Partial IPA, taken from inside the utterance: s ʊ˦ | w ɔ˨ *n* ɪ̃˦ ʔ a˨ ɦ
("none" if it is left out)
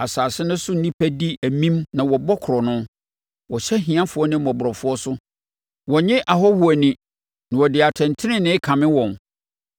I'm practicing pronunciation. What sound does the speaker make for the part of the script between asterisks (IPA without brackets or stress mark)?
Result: ɲ